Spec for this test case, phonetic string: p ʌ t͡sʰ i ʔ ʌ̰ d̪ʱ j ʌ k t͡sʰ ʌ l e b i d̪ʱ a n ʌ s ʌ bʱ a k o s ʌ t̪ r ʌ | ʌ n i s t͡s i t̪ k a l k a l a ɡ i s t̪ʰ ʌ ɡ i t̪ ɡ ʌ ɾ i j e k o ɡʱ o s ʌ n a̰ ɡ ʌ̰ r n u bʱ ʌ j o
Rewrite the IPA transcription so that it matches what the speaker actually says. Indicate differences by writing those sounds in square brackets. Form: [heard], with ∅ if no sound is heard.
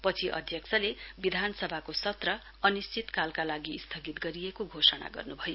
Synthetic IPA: p ʌ t͡sʰ i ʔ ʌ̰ d̪ʱ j ʌ k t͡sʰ ʌ l e b i d̪ʱ a n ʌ s ʌ bʱ a k o s ʌ t̪ r ʌ | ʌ n i s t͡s i t̪ k a l k a l a ɡ i s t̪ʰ ʌ ɡ i t̪ ɡ ʌ ɾ i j e k o ɡʱ o s ʌ n a̰ ɡ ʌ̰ r n u bʱ ʌ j o